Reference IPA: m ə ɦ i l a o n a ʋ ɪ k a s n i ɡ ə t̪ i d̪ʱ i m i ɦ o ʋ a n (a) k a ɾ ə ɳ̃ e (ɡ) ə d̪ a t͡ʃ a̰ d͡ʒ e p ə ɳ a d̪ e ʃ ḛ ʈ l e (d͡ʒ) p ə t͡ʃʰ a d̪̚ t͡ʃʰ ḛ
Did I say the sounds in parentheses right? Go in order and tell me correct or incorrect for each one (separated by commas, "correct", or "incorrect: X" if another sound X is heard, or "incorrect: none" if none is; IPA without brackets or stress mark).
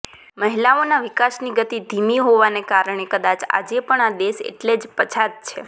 incorrect: e, incorrect: k, correct